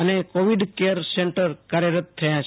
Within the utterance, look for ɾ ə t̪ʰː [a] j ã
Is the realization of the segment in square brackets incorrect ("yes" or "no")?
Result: yes